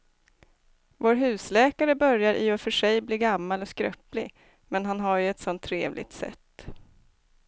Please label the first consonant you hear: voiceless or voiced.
voiced